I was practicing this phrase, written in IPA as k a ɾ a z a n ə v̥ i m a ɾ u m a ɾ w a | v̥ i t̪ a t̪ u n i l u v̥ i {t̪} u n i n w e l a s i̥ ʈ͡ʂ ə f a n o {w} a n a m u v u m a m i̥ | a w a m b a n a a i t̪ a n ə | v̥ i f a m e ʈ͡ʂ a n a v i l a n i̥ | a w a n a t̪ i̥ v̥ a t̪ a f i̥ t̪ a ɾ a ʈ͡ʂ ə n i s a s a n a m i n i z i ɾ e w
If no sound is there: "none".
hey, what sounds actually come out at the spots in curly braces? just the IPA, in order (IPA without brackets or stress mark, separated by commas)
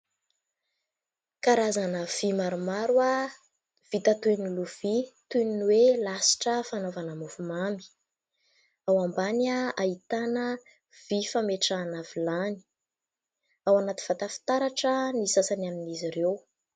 t̪, v